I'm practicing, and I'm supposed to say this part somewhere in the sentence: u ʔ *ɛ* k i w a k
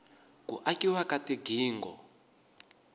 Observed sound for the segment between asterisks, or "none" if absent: a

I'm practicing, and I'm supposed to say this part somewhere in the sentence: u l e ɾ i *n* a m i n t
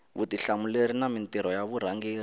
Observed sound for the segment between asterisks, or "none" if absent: n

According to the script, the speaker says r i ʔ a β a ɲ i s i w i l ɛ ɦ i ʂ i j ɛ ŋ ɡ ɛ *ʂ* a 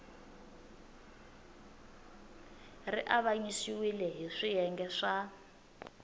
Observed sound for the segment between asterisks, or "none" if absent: ʂ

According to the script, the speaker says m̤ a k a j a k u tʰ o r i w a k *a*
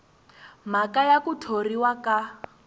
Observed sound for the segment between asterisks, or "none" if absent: a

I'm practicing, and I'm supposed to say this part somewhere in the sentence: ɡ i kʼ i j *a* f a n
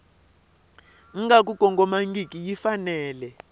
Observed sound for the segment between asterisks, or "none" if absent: i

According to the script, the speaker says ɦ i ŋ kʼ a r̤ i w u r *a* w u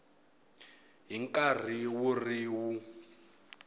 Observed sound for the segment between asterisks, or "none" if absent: i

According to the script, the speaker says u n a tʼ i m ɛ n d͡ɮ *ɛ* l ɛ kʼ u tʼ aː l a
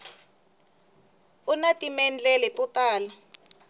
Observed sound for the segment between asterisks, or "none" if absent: ɛ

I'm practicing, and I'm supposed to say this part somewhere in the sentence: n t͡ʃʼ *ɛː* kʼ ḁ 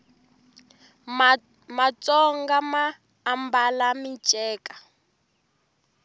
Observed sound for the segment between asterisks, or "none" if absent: ɛː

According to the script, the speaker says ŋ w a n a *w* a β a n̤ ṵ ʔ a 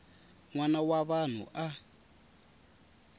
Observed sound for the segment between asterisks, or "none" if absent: w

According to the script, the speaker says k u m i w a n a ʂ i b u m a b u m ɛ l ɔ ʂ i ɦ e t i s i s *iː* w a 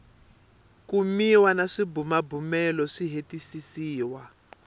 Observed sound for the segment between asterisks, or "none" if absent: iː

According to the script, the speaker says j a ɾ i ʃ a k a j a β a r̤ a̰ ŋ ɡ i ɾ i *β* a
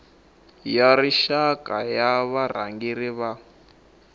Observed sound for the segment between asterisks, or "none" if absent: β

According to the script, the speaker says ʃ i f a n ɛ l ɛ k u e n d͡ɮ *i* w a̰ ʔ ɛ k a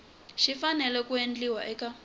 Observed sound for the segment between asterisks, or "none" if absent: i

